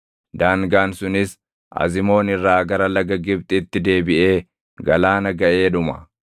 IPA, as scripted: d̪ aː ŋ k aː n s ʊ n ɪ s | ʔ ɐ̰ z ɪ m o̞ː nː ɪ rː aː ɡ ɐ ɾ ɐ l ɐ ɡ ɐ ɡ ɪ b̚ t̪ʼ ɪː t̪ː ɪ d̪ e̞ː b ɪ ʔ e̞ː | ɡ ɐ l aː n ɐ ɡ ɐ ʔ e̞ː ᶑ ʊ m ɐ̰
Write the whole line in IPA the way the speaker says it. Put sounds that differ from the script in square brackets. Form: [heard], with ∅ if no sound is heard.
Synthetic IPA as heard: d̪ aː ŋ [ɡ] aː n s ʊ n ɪ s | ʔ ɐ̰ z ɪ m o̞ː [n] ɪ rː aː ɡ ɐ ɾ ɐ l ɐ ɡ ɐ ɡ ɪ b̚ t̪ʼ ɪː t̪ː ɪ d̪ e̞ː b ɪ ʔ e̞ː | ɡ ɐ l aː n ɐ ɡ ɐ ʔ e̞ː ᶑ ʊ m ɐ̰